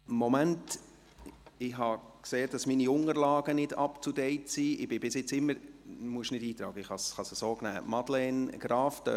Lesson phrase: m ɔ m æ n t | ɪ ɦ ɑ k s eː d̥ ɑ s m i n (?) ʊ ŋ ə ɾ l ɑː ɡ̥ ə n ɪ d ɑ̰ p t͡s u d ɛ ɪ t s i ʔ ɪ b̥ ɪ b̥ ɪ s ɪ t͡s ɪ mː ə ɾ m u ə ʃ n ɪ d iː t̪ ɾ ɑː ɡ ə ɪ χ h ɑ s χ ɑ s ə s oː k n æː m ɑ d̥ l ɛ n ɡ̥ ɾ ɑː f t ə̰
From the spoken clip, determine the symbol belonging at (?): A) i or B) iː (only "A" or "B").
A